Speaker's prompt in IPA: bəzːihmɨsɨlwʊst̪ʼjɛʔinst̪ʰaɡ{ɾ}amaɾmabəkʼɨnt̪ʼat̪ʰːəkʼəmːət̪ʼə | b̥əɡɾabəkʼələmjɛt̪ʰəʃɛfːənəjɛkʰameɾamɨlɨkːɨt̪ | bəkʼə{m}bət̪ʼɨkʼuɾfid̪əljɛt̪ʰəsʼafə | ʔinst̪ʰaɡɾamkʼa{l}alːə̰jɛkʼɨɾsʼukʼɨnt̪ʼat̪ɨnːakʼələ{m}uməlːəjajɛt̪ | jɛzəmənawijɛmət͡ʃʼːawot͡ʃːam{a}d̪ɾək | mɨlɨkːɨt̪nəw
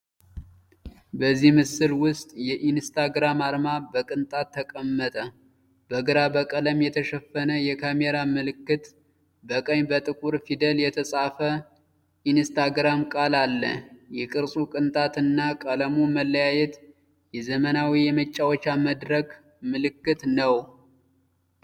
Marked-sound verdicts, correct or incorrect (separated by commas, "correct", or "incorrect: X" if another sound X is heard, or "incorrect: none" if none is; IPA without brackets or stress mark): correct, incorrect: ɲ, correct, correct, incorrect: ə